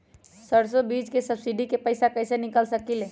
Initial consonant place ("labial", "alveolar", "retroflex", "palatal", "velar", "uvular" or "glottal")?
alveolar